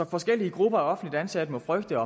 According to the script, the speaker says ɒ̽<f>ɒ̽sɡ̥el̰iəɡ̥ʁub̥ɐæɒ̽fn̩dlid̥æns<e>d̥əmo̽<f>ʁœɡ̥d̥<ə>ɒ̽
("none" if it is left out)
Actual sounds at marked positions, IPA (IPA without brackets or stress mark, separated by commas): f, æ, f, ə